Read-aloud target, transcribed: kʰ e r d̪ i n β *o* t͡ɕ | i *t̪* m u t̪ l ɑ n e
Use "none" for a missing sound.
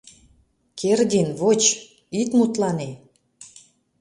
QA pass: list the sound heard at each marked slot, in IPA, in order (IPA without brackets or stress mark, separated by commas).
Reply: o, t̪